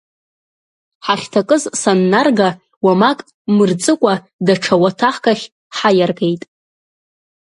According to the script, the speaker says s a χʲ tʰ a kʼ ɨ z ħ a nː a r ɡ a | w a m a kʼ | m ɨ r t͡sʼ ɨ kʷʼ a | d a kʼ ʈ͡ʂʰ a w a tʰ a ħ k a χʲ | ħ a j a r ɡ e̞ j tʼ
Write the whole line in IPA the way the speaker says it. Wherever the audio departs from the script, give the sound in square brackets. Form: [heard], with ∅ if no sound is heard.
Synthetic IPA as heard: [ħ] a χʲ tʰ a kʼ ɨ z [s] a nː a r ɡ a | w a m a kʼ | m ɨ r t͡sʼ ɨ kʷʼ a | d a [∅] ʈ͡ʂʰ a w a tʰ a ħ k a χʲ | ħ a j a r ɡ e̞ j tʼ